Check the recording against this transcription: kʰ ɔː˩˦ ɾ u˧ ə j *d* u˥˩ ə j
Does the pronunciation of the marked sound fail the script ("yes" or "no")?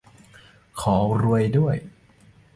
no